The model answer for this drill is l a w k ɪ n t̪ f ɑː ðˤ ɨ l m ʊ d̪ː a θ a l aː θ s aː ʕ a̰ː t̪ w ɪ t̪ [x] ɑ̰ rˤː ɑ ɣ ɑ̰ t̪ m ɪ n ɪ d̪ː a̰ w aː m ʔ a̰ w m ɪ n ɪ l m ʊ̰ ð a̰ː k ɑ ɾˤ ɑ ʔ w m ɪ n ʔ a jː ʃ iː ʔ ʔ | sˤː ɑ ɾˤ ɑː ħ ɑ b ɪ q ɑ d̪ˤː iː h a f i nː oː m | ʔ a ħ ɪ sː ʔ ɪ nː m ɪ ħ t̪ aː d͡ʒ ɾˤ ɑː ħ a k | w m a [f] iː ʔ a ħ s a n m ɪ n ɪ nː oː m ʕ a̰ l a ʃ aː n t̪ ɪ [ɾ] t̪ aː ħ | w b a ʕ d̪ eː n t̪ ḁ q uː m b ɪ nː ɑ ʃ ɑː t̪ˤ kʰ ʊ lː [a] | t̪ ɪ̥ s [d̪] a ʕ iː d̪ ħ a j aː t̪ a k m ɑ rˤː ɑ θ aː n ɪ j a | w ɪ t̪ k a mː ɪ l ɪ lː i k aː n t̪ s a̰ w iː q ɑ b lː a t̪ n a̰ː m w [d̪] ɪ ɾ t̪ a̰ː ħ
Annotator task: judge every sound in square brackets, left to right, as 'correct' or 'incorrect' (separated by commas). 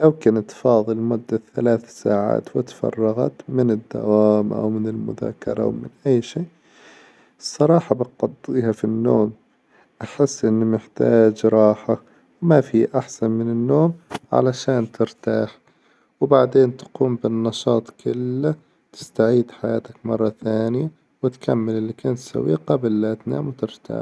incorrect, correct, correct, correct, incorrect, incorrect